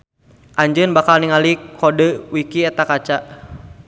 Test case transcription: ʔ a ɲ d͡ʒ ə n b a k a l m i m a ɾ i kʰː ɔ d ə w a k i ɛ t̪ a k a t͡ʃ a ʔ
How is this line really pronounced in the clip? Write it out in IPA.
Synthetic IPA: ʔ a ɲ d͡ʒ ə n b a k a l n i ŋ a l i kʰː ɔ d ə w i k i ɛ t̪ a k a t͡ʃ a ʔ